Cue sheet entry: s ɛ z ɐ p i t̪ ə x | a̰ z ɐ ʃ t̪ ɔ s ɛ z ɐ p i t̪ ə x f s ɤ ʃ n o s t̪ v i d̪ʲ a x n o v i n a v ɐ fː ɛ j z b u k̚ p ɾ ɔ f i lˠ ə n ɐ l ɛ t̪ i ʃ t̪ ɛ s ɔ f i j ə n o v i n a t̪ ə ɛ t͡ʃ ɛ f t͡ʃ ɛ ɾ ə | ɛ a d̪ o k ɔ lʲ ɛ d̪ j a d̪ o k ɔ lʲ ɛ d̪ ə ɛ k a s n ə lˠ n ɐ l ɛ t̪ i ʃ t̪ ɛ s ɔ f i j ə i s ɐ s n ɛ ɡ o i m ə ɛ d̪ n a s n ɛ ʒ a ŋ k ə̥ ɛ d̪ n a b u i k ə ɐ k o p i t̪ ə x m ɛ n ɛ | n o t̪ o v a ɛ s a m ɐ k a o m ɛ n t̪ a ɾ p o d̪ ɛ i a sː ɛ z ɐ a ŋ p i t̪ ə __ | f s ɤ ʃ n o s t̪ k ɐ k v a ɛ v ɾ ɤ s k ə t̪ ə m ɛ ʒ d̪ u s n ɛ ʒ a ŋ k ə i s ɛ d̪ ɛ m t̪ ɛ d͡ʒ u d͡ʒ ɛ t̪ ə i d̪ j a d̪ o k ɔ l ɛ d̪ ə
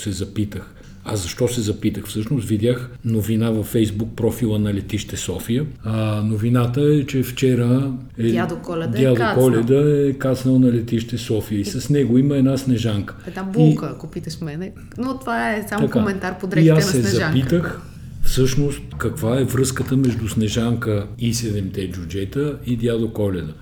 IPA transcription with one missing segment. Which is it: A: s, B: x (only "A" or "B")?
B